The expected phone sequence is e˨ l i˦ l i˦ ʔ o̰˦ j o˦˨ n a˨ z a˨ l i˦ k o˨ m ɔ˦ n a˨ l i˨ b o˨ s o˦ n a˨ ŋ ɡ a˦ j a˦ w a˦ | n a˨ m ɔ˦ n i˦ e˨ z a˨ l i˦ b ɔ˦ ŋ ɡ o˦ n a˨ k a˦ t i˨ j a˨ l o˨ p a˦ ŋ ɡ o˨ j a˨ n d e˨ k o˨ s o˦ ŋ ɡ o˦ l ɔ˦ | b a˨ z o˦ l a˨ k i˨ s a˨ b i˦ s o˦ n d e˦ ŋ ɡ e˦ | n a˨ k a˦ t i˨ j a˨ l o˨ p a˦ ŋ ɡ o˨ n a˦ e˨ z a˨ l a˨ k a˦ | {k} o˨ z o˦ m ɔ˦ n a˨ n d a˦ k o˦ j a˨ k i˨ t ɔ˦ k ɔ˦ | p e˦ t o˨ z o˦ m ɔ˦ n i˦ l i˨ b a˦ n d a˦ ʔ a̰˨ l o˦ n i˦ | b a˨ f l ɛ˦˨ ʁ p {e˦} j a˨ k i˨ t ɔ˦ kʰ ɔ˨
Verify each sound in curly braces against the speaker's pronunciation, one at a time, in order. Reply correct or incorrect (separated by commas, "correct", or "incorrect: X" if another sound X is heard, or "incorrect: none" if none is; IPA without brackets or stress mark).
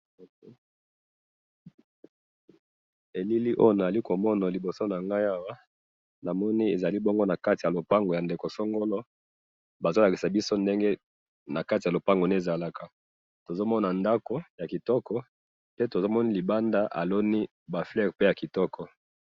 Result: incorrect: t, correct